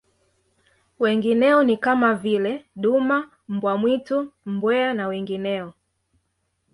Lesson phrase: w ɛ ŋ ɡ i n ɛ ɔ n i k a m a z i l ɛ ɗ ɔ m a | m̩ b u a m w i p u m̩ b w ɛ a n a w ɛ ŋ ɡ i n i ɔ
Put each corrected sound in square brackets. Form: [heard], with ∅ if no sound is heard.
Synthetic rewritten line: w ɛ ŋ ɡ i n ɛ ɔ n i k a m a [v] i l ɛ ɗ [u] m a | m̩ b [w] a m w i [t] u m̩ b w ɛ a n a w ɛ ŋ ɡ i n [ɛ] ɔ